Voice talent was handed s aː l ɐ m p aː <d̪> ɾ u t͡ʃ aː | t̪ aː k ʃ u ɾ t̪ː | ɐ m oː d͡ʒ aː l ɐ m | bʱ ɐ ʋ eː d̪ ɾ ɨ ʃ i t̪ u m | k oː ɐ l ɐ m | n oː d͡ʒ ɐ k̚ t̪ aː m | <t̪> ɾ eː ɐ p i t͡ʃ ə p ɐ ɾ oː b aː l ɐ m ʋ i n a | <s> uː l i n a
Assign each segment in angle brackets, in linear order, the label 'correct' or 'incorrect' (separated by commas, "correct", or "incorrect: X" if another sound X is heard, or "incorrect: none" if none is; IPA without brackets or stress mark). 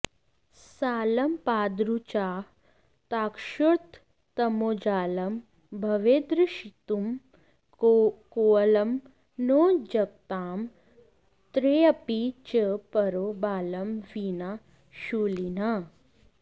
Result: correct, correct, incorrect: ʃ